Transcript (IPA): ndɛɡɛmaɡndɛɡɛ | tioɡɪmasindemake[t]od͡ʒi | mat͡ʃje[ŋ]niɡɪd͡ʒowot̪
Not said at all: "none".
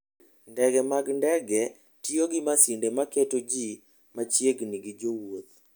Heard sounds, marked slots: t, ɡ

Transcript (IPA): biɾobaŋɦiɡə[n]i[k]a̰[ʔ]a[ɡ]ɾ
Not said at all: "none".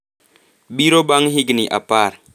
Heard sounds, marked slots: n, ʔ, p, none

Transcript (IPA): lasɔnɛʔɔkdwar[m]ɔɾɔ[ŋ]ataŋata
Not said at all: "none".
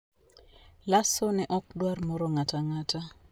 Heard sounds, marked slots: m, ŋ

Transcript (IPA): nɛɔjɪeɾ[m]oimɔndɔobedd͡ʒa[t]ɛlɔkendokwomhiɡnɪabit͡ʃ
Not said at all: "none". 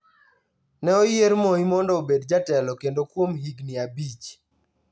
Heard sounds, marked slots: m, t

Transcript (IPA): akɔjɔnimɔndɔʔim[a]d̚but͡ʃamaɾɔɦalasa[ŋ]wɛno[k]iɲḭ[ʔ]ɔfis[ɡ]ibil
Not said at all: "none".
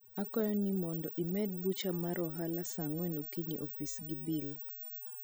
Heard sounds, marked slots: ɛ, ŋ, k, ʔ, ɡ

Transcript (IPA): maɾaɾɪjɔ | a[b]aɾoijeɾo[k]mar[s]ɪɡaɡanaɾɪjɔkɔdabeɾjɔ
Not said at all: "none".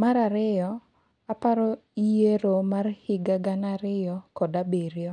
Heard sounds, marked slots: p, none, h

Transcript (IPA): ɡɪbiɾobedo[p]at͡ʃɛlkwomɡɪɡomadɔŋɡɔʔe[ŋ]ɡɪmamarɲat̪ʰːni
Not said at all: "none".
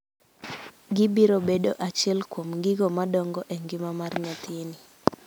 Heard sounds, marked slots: ʔ, ŋ

